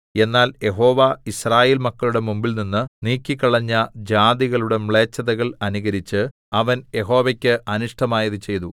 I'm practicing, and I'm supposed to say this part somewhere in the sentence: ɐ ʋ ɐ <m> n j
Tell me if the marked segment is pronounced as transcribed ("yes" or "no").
no